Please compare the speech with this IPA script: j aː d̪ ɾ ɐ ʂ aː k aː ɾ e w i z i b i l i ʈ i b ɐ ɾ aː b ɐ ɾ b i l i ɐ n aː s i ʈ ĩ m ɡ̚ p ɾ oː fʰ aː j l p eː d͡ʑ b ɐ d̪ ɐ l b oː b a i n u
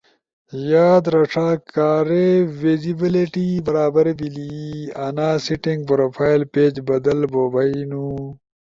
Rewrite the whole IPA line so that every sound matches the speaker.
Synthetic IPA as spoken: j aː d̪ ɾ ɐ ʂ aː k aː ɾ e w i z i b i l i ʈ i b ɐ ɾ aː b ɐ ɾ b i l i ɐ n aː s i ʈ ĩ ŋ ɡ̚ p ɾ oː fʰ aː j l p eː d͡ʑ b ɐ d̪ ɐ l b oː b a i n u

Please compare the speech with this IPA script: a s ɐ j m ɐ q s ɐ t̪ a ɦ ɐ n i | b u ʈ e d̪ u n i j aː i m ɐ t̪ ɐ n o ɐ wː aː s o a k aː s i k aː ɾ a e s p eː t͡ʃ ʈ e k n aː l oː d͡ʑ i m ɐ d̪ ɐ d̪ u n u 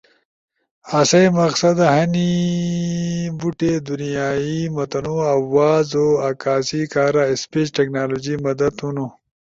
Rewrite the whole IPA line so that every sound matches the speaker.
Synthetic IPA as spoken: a s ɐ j m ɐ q s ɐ d̪ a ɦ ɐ n i | b u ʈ e d̪ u n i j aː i m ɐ t̪ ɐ n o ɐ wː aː z o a k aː s i k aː ɾ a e s p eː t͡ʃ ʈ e k n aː l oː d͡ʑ i m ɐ d̪ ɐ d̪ u n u

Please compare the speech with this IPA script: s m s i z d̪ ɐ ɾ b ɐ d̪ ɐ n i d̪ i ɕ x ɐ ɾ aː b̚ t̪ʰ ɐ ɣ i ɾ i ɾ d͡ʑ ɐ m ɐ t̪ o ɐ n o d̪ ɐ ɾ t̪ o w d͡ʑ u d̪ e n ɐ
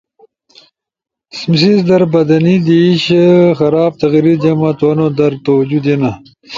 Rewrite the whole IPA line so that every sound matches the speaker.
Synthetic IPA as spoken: s m s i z d̪ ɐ ɾ b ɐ d̪ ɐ n i d̪ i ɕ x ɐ ɾ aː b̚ t̪ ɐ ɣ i ɾ i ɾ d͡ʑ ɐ m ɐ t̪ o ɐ n o d̪ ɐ ɾ t̪ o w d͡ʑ u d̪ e n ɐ

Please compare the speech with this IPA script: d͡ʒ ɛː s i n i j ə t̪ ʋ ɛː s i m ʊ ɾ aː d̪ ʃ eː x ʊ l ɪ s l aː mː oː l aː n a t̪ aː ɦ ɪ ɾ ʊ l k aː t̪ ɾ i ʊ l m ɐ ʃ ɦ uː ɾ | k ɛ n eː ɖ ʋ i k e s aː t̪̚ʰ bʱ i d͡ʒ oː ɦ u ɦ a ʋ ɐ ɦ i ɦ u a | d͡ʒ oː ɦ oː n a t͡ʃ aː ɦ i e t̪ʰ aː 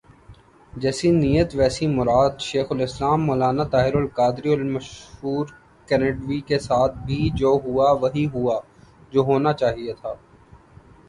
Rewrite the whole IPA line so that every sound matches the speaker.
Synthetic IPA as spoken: d͡ʒ ɛː s i n i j ə t̪ ʋ ɛː s i m ʊ ɾ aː d̪ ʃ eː x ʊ l ɪ s l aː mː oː l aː n a t̪ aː ɦ ɪ ɾ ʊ l k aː d̪ ɾ i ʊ l m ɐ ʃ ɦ uː ɾ | k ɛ n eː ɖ ʋ i k e s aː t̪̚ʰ bʱ i d͡ʒ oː ɦ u a ʋ ɐ ɦ i ɦ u a | d͡ʒ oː ɦ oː n a t͡ʃ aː ɦ i e t̪ʰ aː

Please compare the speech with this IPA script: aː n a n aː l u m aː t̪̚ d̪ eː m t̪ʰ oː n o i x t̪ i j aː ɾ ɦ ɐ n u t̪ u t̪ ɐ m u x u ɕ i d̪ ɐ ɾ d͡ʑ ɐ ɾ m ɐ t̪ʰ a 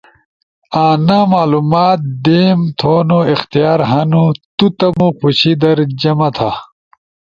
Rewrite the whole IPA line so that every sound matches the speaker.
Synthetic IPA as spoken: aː n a m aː l u m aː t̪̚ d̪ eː m t̪ʰ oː n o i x t̪ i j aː ɾ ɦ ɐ n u t̪ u t̪ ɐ m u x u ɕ i d̪ ɐ ɾ d͡ʑ ɐ m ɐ t̪ʰ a

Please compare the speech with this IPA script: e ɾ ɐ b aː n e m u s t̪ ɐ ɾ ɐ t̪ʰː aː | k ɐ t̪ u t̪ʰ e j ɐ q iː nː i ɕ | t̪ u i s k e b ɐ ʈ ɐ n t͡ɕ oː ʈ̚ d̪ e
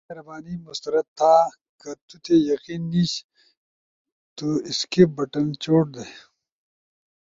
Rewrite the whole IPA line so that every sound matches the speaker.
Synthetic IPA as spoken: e ɾ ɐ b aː n i m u s t̪ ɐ ɾ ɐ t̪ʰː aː | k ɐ t̪ u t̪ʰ e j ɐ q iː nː i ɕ | t̪ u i s k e b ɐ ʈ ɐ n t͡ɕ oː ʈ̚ d̪ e

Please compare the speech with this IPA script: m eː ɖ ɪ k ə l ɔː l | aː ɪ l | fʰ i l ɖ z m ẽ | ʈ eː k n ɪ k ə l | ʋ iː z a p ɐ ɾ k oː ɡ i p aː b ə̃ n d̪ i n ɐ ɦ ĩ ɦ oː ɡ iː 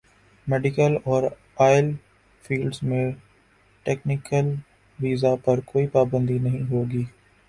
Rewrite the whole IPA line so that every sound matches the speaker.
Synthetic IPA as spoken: m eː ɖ ɪ k ə l ɔː ɾ | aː ɪ l | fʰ iː l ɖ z m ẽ | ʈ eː k n ɪ k ə l | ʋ iː z a p ɐ ɾ k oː i p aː b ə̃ n d̪ i n ɐ ɦ ĩ ɦ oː ɡ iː

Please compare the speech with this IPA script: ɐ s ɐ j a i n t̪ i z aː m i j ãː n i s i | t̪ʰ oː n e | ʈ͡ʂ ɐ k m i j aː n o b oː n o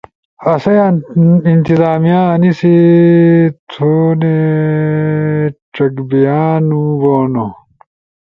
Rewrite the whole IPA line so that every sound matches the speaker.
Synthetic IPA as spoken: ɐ s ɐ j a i n t̪ i z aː m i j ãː n i s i | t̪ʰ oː n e | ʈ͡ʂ ɐ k b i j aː n u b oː n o

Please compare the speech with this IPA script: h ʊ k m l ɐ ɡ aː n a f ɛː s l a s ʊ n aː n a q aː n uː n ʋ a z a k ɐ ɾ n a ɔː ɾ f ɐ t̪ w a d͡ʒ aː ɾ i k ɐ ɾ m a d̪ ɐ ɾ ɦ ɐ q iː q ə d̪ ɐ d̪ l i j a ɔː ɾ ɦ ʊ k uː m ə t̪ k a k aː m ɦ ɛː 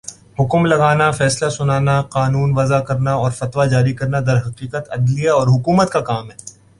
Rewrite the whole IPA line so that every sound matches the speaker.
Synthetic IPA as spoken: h ʊ k m l ɐ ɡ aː n a f ɛː s l a s ʊ n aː n a q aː n uː n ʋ ɐ z a k ɐ ɾ n a ɔː ɾ f ɐ t̪ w a d͡ʒ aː ɾ i k ɐ ɾ n a d̪ ɐ ɾ ɦ ɐ q iː q ə t̪ ɐ d̪ l i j a ɔː ɾ ɦ ʊ k uː m ə t̪ k a k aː m ɦ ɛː

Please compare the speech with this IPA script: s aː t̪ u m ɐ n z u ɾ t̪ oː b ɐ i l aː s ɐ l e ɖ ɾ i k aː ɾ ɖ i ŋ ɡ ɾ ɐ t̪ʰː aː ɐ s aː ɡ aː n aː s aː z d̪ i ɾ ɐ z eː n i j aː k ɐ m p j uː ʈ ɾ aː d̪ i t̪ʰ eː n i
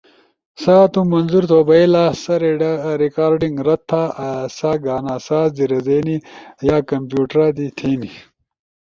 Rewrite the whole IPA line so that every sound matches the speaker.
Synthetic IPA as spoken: s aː t̪ u m ɐ n z u ɾ t̪ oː b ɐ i l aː s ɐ ɾ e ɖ ɾ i k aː ɾ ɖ i ŋ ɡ ɾ ɐ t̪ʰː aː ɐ s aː ɡ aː n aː s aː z d̪ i ɾ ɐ z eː n i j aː k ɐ m p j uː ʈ ɾ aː d̪ i t̪ʰ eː n i

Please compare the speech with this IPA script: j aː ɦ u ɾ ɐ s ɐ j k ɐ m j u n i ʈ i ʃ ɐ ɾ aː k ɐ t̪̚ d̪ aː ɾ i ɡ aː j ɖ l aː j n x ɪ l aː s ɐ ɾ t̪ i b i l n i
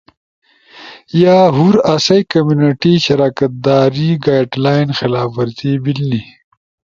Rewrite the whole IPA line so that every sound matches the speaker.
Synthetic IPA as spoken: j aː ɦ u ɾ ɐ s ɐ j k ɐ m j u n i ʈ i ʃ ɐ ɾ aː k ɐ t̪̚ d̪ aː ɾ i ɡ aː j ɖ l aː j n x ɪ l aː f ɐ ɾ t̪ i b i l n i

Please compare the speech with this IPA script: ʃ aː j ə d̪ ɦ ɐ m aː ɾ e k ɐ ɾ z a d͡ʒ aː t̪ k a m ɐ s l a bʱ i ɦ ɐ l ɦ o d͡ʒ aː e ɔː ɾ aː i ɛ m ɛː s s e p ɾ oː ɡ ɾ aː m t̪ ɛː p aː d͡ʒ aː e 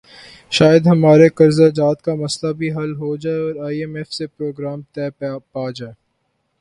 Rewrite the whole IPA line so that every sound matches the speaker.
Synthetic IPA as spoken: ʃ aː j ə d̪ ɦ ɐ m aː ɾ e k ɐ ɾ z a d͡ʒ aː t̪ k a m ɐ s l a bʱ i ɦ ɐ l ɦ o d͡ʒ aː e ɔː ɾ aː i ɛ m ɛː f s e p ɾ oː ɡ ɾ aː m t̪ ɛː p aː d͡ʒ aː e

